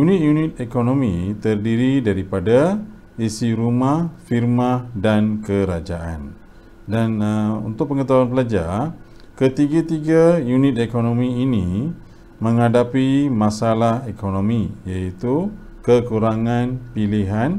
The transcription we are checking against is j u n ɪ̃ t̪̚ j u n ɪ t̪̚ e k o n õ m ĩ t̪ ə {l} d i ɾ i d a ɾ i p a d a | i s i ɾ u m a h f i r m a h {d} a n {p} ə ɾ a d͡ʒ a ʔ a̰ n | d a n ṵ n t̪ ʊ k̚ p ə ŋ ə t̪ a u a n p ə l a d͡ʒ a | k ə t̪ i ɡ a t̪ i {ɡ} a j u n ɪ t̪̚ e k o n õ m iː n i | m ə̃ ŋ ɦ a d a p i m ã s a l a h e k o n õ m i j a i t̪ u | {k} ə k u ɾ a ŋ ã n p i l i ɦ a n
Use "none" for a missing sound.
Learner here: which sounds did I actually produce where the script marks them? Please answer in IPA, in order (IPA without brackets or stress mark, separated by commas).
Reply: r, d, k, ɡ, k